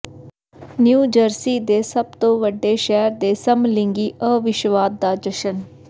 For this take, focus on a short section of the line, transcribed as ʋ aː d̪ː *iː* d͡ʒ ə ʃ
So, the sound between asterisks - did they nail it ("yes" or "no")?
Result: no